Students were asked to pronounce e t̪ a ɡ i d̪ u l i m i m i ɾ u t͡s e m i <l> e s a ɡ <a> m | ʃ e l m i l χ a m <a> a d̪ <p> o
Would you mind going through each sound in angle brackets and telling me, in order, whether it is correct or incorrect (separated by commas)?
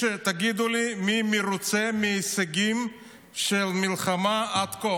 incorrect, incorrect, correct, incorrect